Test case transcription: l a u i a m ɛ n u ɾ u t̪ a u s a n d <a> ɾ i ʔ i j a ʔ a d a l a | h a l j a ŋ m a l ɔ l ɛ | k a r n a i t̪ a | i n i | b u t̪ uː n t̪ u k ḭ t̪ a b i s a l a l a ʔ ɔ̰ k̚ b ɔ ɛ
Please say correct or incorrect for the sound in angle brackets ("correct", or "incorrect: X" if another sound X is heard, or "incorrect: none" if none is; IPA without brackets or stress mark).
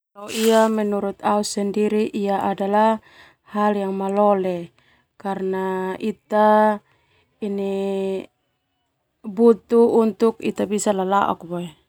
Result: incorrect: i